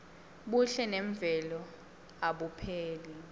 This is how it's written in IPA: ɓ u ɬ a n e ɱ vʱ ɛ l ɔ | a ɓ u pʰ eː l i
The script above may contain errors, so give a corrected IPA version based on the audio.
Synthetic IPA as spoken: ɓ u ɬ ɛ n ɛ ɱ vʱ ɛ l ɔ | a ɓ u pʰ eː l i

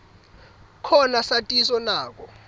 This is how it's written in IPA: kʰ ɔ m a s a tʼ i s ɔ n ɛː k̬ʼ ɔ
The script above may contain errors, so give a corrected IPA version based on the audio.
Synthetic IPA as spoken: kʰ ɔ n a s a tʼ i s ɔ n aː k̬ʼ ɔ

